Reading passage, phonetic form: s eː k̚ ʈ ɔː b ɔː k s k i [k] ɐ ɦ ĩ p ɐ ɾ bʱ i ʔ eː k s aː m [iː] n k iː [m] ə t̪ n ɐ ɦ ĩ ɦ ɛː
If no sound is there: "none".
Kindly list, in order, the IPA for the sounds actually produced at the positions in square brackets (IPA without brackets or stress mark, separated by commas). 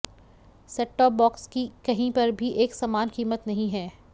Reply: k, aː, m